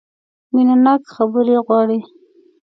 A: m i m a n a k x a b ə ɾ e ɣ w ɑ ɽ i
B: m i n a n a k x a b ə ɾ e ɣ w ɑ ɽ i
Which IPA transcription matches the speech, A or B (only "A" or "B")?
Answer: B